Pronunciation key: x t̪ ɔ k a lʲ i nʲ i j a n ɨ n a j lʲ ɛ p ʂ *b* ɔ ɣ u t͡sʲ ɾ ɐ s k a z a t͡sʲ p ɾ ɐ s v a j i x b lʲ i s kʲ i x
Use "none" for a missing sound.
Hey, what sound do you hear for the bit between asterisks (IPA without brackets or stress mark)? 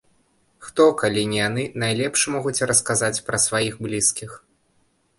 m